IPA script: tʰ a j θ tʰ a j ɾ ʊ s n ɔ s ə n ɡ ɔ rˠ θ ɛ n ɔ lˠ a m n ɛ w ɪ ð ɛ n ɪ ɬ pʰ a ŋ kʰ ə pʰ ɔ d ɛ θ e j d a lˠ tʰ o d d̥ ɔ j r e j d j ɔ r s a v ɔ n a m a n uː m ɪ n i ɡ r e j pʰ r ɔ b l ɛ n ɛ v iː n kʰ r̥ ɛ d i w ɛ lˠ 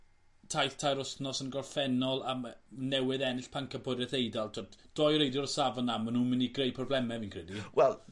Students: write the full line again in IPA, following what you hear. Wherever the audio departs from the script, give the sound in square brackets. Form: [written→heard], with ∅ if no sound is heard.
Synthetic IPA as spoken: tʰ a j θ tʰ a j ɾ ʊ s n ɔ s ə n ɡ ɔ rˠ [θ→f] ɛ n ɔ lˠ a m n ɛ w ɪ ð ɛ n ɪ ɬ pʰ a ŋ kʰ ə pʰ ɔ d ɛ θ e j d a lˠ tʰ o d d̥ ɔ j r e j d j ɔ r s a v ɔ n a m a n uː m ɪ n i ɡ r e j pʰ r ɔ b l ɛ [n→m] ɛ v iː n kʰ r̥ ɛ d i w ɛ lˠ